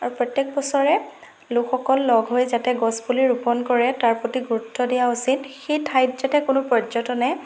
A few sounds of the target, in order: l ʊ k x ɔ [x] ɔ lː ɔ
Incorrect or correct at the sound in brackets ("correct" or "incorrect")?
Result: incorrect